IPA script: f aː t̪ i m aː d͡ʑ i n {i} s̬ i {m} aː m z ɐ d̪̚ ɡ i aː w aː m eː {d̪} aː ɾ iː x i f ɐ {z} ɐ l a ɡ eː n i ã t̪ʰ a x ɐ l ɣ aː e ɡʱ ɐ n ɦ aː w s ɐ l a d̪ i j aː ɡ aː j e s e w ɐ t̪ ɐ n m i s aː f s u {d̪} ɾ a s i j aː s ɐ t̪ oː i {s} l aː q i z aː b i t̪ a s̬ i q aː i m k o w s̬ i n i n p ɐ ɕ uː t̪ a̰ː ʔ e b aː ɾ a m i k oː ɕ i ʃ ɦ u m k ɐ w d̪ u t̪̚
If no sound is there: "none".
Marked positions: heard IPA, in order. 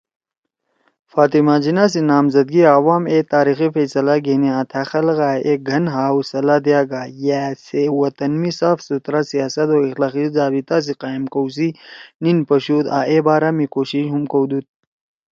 a, n, t̪, s, t̪, x

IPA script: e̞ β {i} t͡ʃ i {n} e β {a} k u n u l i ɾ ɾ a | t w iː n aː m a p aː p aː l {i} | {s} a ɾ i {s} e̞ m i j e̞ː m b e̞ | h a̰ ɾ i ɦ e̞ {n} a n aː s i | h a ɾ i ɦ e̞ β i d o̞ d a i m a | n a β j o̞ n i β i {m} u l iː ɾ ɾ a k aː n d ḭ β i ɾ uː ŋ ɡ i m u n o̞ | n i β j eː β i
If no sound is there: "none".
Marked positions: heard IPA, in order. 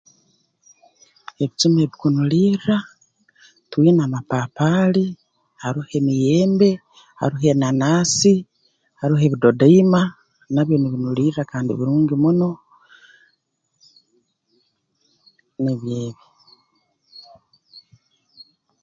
i, m, i, i, h, h, n, n

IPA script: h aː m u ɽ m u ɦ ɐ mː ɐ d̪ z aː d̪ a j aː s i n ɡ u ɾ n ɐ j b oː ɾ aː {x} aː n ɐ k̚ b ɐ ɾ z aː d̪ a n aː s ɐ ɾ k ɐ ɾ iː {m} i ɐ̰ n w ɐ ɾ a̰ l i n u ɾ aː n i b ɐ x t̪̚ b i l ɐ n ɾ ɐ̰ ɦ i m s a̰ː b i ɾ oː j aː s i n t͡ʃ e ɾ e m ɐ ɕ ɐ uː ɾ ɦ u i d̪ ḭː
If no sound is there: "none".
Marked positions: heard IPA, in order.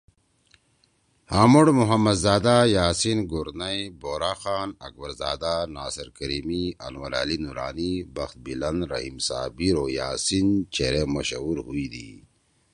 x, m

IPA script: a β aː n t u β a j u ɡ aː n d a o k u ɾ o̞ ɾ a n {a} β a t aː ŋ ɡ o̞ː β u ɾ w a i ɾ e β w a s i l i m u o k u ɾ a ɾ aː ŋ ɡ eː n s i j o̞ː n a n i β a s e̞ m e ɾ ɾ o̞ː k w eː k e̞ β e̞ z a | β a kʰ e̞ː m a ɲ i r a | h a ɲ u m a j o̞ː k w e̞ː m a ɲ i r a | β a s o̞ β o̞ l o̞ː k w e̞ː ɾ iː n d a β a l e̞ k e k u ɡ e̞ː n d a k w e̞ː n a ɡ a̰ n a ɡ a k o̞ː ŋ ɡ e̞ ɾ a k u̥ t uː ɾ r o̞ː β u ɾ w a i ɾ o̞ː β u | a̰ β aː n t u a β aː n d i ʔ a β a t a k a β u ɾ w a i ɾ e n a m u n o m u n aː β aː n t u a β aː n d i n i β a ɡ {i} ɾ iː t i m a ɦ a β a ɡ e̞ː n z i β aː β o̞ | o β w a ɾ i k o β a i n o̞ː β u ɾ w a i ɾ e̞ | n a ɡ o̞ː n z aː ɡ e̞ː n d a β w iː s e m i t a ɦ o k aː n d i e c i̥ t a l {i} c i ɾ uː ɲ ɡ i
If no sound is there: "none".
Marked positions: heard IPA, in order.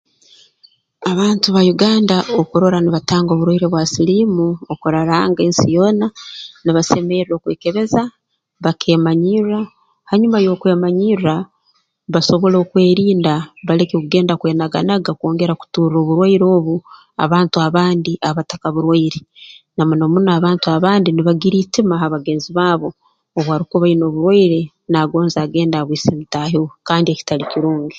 i, i, i

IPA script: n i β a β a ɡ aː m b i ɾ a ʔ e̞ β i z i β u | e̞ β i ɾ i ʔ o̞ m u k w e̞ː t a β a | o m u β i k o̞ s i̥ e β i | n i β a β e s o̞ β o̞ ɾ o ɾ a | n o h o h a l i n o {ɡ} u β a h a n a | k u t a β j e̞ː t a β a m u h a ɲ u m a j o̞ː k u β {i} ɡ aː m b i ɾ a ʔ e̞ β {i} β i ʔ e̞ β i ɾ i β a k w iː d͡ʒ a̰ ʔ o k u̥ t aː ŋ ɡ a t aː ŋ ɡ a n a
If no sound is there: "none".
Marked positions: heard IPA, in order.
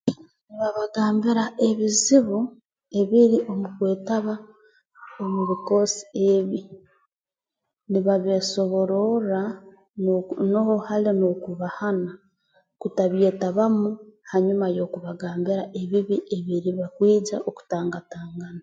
k, a, i

